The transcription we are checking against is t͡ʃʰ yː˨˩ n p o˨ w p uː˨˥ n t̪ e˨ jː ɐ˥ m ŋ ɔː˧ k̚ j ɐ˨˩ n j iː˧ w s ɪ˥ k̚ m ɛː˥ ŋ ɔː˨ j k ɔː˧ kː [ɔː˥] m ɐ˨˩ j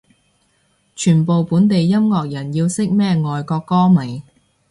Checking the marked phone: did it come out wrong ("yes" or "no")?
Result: no